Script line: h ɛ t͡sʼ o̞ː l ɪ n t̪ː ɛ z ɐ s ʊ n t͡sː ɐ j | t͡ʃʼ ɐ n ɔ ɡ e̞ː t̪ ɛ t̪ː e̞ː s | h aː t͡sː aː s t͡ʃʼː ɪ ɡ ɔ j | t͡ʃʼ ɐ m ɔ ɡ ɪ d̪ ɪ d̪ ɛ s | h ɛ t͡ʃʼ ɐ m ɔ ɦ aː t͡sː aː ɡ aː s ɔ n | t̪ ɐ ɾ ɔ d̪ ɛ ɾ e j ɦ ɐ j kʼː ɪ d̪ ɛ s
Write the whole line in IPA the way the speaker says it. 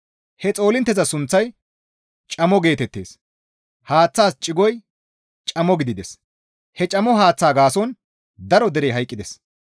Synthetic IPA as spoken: h ɛ t͡sʼ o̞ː l ɪ n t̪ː ɛ z ɐ s ʊ n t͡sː ɐ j | t͡ʃʼ ɐ m ɔ ɡ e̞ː t̪ ɛ t̪ː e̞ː s | h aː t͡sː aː s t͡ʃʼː ɪ ɡ ɔ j | t͡ʃʼ ɐ m ɔ ɡ ɪ d̪ ɪ d̪ ɛ s | h ɛ t͡ʃʼ ɐ m ɔ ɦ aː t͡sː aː ɡ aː s ɔ n | d̪ ɐ ɾ ɔ d̪ ɛ ɾ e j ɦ ɐ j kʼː ɪ d̪ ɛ s